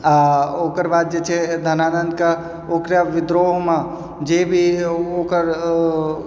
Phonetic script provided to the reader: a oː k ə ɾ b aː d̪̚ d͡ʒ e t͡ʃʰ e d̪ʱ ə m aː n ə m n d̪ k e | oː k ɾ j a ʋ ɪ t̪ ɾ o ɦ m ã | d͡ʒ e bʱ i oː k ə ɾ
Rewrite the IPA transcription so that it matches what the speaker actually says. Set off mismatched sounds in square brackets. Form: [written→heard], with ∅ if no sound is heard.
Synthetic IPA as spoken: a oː k ə ɾ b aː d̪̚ d͡ʒ e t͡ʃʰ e d̪ʱ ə [m→n] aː n ə [m→∅] n d̪ k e | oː k ɾ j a ʋ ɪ [t̪→d̪] ɾ o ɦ m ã | d͡ʒ e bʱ i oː k ə ɾ